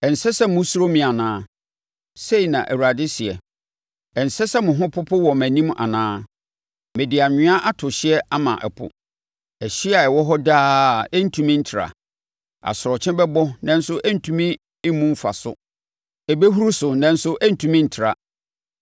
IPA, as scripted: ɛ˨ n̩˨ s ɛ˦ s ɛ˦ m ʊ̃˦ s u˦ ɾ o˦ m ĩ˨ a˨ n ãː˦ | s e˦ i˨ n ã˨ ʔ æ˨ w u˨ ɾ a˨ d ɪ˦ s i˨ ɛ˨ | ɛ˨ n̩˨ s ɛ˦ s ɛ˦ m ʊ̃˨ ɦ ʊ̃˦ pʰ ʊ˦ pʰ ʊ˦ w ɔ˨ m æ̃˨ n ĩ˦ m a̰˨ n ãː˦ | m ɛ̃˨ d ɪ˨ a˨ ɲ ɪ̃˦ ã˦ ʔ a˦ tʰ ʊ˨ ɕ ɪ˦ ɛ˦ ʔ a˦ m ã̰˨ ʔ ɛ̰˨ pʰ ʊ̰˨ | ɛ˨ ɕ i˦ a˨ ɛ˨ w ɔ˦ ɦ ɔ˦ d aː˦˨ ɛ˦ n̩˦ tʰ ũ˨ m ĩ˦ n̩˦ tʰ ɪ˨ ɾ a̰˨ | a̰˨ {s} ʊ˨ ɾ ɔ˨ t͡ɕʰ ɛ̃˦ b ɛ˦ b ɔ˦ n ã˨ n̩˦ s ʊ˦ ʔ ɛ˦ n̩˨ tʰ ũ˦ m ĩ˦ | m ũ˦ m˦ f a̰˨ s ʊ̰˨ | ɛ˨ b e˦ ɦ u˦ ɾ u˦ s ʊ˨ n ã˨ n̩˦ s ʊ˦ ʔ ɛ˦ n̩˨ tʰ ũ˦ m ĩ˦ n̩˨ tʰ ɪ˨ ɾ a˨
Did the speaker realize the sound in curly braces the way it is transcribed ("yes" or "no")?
yes